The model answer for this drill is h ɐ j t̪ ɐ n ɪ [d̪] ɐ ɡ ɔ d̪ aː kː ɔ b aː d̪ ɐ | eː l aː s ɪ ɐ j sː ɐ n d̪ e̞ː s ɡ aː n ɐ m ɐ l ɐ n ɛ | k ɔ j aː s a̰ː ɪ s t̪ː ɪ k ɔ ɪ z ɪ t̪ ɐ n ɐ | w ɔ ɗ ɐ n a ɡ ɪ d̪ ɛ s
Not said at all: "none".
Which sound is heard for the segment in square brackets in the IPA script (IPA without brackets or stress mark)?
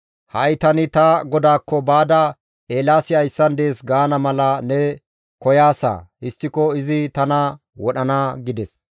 t̪